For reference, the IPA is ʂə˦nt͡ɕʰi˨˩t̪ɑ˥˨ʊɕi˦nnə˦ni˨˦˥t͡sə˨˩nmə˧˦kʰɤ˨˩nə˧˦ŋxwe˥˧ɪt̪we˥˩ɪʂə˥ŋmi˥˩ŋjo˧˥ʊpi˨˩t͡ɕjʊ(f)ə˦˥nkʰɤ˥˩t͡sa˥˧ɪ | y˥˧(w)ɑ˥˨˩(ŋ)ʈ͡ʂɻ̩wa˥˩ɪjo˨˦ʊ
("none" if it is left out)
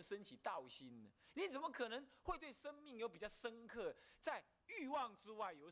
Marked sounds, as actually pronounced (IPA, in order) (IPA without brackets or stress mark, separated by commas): ʂ, w, ŋ